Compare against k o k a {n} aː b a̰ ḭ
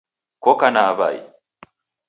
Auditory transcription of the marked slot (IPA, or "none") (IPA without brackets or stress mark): n